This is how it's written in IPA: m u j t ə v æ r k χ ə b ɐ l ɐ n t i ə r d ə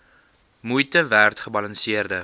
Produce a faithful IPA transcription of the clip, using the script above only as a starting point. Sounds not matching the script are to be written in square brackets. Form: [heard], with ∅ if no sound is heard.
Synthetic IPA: m u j t ə v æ r [t] χ ə b ɐ l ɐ n [s] i ə r d ə